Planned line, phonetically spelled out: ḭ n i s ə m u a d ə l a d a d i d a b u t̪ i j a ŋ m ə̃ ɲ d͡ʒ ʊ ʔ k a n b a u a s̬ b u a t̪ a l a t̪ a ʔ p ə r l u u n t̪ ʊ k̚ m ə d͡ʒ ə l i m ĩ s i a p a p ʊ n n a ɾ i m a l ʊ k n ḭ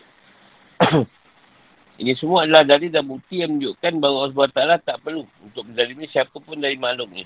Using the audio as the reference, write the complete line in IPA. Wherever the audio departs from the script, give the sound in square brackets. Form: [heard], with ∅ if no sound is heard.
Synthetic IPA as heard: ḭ n i s ə m u a d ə l a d a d i d a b u t̪ i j a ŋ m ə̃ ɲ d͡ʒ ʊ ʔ k a n b a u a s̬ b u a t̪ a l a t̪ a ʔ p ə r l u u n t̪ ʊ k̚ m ə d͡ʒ [a] l i m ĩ s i a p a p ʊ n [d] a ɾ i m a l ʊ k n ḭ